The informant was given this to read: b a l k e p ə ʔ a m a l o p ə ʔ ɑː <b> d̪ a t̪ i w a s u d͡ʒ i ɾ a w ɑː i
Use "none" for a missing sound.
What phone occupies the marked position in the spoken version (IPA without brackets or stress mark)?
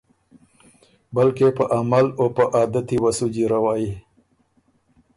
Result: none